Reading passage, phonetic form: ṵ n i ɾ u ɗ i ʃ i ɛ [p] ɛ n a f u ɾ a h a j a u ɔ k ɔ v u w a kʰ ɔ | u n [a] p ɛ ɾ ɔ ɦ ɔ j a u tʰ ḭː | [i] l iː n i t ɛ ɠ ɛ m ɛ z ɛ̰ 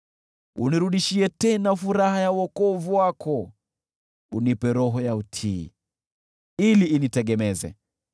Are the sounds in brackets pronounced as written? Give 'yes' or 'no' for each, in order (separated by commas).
no, no, yes